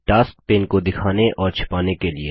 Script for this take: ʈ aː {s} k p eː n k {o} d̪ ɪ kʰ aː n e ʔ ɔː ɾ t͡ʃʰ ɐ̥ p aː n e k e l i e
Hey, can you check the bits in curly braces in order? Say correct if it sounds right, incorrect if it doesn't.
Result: correct, correct

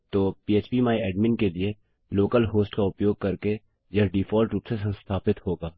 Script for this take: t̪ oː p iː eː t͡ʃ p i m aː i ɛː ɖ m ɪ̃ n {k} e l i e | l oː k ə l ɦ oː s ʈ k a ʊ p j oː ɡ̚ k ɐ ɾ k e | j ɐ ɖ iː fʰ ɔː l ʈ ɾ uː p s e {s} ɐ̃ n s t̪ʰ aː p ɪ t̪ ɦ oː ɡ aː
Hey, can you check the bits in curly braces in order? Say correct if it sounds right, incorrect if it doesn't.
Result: correct, correct

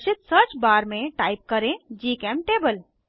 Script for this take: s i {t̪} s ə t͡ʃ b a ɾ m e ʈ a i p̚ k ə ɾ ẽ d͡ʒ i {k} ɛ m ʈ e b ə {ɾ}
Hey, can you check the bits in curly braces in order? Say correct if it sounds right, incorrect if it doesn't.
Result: correct, correct, incorrect: l

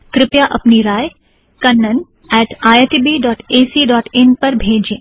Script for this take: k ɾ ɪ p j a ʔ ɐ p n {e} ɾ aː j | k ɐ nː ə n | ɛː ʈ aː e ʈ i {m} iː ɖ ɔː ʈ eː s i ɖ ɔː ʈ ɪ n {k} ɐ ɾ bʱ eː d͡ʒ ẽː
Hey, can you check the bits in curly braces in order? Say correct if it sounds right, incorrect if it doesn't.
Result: incorrect: i, incorrect: b, incorrect: p

